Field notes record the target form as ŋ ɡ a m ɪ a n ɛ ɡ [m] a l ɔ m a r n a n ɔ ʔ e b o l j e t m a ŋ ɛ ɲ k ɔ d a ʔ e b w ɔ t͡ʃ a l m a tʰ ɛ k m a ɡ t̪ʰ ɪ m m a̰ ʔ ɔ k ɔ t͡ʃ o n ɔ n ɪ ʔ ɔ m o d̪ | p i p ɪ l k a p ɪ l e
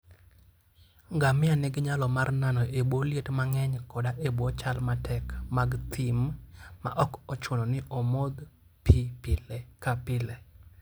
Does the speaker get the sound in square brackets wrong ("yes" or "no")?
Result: yes